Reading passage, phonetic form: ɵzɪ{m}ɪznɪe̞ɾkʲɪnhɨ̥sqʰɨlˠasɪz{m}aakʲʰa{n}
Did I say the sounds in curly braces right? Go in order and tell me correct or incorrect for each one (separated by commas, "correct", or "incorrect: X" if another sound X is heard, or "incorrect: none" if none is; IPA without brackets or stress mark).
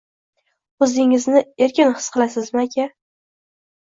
incorrect: ŋ, correct, incorrect: none